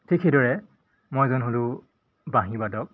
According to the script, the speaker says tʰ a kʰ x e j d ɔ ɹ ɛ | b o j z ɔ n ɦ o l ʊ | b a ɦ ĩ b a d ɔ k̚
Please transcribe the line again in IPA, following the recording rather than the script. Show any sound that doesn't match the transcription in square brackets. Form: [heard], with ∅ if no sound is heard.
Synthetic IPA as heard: tʰ [i] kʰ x e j d ɔ ɹ ɛ | [m] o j z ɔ n ɦ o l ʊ | b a ɦ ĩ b a d ɔ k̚